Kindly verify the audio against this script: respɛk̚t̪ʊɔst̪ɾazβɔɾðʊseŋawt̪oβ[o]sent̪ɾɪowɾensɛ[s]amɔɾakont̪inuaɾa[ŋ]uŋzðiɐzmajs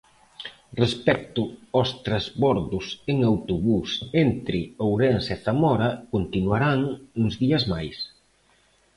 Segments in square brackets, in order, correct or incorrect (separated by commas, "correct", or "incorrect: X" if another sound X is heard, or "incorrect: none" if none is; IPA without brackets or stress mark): incorrect: u, incorrect: θ, correct